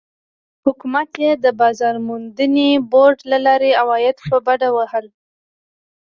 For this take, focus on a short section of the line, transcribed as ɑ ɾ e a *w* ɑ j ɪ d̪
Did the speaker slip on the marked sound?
no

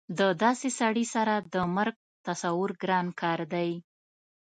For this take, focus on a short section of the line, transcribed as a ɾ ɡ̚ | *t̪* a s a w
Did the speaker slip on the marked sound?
no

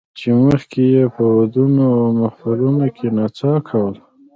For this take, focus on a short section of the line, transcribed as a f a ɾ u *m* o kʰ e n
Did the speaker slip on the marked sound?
yes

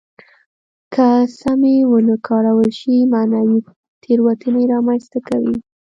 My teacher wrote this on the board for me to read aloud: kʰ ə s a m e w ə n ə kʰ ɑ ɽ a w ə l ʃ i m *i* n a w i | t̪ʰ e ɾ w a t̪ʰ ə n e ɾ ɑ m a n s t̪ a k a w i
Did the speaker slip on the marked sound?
yes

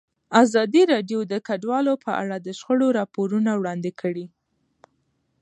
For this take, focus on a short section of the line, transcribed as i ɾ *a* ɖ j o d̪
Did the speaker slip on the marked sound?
yes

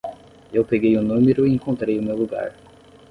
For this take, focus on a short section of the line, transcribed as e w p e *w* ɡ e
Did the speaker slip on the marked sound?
yes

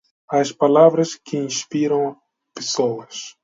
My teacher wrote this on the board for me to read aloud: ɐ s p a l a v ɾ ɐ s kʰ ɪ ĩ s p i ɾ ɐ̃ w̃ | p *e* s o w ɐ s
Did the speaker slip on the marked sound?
no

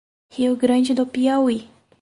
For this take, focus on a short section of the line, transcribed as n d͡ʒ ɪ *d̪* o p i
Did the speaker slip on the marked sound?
no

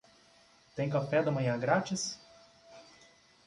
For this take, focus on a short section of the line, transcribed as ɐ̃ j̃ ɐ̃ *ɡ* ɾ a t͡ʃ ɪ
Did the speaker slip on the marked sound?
no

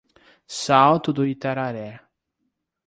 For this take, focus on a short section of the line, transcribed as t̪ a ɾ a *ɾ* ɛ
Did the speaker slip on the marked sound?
no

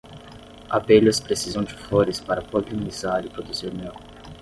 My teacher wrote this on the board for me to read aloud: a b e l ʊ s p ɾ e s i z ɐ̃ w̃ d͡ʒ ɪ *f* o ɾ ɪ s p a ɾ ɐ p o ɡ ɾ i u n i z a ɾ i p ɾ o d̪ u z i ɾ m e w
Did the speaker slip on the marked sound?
no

